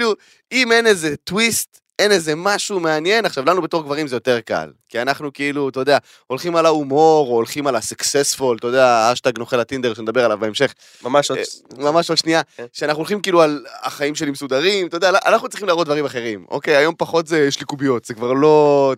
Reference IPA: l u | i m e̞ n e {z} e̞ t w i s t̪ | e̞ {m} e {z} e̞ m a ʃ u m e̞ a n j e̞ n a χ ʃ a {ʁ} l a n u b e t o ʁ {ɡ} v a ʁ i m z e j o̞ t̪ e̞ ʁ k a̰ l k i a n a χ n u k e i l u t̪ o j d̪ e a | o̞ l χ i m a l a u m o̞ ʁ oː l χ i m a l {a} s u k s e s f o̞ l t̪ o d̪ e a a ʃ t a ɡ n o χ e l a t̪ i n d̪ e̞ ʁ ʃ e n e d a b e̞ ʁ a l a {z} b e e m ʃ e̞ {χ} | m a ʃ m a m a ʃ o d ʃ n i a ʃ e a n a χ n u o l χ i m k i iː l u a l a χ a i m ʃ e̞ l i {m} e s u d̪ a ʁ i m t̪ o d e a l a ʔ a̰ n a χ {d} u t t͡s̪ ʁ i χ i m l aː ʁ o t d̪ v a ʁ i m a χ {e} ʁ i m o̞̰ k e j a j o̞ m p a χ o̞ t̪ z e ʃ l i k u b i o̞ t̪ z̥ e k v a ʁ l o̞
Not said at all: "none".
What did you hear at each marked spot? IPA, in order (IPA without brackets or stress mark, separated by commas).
z, n, z, v, ɡ, a, v, χ, m, n, e